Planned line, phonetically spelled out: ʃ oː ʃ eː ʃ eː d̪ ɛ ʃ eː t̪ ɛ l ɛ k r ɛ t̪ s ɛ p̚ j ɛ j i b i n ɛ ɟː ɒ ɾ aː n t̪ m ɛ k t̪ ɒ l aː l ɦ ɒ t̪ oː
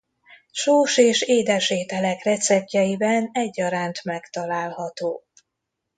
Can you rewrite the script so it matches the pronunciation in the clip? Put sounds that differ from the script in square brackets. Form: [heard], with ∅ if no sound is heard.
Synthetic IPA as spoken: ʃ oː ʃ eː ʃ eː d̪ ɛ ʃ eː t̪ ɛ l ɛ k r ɛ t̪ s ɛ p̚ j ɛ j i b [ɛ] n ɛ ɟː ɒ ɾ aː n t̪ m ɛ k t̪ ɒ l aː l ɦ ɒ t̪ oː